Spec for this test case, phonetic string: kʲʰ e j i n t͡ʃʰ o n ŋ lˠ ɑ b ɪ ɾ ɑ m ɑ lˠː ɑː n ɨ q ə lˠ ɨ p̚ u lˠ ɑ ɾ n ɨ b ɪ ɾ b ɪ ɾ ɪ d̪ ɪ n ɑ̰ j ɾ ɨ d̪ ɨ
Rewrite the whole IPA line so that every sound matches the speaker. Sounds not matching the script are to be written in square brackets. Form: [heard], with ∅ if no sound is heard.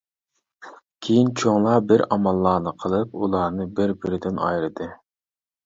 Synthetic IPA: kʲʰ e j i n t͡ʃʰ o [∅] ŋ lˠ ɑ b ɪ ɾ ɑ m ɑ lˠː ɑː n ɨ [qʰ] ə lˠ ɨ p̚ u lˠ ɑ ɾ n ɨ b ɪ ɾ b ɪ ɾ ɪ d̪ ɪ n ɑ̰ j ɾ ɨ d̪ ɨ